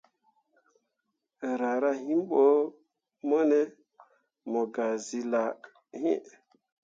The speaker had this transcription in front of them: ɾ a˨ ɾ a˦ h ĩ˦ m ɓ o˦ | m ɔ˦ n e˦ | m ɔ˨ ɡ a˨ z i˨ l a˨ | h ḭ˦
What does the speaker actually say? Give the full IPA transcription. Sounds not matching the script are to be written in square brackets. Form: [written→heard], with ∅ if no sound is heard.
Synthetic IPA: ɾ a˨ ɾ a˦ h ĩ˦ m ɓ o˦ | m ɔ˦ n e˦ | m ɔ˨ ɡ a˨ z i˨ l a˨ | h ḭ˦